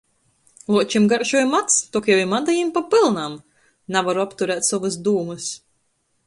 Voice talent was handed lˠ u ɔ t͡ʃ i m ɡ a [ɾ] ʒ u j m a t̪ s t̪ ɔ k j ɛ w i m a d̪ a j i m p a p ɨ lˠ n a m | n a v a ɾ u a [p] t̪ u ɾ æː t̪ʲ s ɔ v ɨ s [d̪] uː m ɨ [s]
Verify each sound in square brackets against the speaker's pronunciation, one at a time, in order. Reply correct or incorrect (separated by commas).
correct, correct, correct, correct